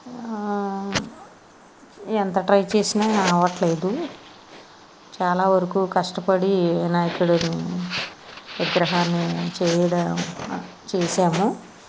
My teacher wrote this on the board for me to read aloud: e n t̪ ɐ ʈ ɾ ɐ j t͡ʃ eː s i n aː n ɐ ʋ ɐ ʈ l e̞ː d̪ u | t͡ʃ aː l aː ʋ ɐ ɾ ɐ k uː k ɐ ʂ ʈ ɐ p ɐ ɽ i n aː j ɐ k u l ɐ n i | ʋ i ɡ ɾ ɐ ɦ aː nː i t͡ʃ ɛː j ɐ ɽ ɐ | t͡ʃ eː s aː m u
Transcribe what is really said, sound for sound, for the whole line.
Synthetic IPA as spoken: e n t̪ ɐ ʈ ɾ ɐ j t͡ʃ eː s i n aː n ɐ ʋ ɐ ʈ l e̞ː d̪ u | t͡ʃ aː l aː ʋ ɐ ɾ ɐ k uː k ɐ ʂ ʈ ɐ p ɐ ɽ i n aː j ɐ k u ɽ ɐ n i | ʋ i ɡ ɾ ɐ ɦ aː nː i t͡ʃ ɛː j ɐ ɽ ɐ | t͡ʃ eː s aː m u